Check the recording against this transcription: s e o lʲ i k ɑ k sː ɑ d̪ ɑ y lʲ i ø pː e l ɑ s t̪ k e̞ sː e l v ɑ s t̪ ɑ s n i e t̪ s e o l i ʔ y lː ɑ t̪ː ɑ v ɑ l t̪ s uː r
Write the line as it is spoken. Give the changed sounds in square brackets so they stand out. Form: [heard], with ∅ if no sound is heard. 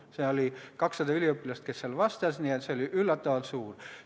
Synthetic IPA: s e o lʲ i k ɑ k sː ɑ d̪ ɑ y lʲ i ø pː [i] l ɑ s t̪ k e̞ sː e l v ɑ s t̪ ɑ s n i e t̪ s e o l i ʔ y lː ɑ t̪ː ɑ v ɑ l t̪ s uː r